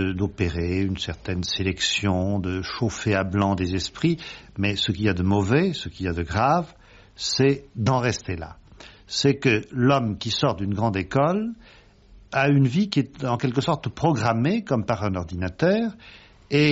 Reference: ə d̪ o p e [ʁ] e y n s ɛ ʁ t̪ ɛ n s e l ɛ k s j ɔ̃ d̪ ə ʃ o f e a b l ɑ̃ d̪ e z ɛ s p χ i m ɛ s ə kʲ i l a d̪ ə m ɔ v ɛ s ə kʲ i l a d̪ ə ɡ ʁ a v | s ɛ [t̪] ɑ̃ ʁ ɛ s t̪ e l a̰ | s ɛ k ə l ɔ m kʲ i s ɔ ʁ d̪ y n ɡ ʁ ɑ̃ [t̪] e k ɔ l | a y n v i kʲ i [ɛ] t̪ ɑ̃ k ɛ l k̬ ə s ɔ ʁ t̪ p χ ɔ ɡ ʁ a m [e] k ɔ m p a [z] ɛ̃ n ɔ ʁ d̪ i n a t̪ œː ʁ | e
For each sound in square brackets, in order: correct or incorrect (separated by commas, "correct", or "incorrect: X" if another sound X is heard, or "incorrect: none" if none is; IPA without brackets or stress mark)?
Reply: correct, incorrect: d̪, incorrect: d̪, correct, correct, incorrect: ʁ